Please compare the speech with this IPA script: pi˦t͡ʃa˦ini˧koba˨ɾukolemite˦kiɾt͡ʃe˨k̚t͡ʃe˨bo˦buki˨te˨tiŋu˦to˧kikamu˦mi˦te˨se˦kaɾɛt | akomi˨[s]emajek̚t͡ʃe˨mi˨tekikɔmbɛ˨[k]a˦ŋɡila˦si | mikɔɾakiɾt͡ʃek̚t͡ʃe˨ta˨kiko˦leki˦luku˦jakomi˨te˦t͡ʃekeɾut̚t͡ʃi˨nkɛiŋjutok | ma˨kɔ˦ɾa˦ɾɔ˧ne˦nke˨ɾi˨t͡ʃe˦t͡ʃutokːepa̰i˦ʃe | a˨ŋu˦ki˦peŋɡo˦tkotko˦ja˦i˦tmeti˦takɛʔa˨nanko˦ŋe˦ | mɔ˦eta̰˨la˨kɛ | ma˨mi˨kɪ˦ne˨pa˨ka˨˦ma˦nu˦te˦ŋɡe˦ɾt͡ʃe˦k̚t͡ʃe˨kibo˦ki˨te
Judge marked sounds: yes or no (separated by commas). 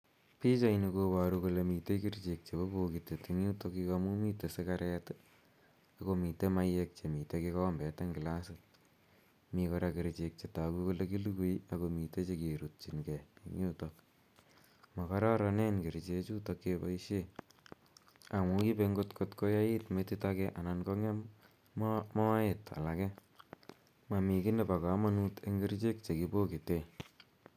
no, no